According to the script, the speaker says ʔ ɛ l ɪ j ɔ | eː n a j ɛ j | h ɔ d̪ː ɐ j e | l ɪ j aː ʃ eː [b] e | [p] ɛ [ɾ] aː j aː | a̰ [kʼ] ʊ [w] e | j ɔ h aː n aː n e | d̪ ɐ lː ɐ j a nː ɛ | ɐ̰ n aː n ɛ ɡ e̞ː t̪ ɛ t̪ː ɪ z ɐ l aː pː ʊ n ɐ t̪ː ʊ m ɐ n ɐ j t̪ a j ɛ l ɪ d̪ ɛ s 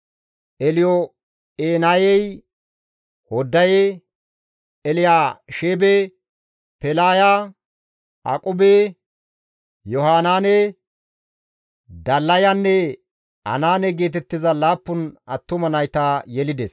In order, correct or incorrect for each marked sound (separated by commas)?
correct, correct, incorrect, correct, incorrect